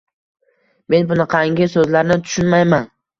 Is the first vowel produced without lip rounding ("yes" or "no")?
yes